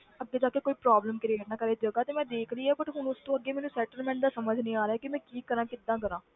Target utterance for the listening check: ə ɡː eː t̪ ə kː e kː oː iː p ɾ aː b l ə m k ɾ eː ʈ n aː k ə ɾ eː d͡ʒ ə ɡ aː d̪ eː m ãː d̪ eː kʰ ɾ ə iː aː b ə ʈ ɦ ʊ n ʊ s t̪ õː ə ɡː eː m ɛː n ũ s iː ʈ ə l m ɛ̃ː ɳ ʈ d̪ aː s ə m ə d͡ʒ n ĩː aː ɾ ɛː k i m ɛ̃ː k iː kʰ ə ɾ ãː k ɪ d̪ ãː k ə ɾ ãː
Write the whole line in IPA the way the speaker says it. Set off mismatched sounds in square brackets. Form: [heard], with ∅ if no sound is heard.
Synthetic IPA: ə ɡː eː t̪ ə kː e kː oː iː p ɾ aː b l ə m k ɾ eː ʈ n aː k ə ɾ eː d͡ʒ ə ɡ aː [t̪] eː m [ɛ̃ː] d̪ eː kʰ ɾ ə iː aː b ə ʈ ɦ ʊ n ʊ s t̪ õː ə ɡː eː m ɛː n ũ s [ɛː] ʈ ə l m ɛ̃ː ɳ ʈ d̪ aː s ə m ə d͡ʒ n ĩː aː ɾ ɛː k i m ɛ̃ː k iː [k] ə ɾ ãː k ɪ d̪ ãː k ə ɾ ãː